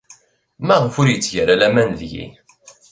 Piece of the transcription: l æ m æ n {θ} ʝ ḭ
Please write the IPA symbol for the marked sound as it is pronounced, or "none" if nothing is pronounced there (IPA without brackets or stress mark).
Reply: ð